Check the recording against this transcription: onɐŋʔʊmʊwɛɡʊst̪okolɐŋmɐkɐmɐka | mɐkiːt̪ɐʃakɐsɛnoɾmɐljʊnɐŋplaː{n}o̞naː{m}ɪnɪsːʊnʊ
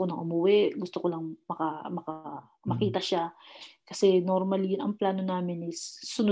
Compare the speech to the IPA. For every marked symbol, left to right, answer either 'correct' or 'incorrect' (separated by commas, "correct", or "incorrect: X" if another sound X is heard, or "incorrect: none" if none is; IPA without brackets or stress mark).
correct, correct